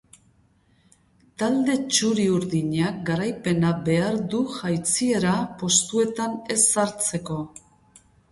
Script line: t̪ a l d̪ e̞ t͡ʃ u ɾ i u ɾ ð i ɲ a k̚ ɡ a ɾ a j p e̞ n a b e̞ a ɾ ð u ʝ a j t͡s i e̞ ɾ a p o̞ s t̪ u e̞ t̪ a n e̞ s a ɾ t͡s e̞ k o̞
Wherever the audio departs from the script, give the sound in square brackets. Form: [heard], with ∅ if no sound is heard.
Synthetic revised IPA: t̪ a l d̪ e̞ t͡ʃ u ɾ i u ɾ ð i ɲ a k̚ ɡ a ɾ a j p e̞ n a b e̞ a ɾ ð u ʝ a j t͡s i e̞ ɾ a p o̞ s t̪ u e̞ t̪ a n e̞ s a ɾ t͡s e̞ k o̞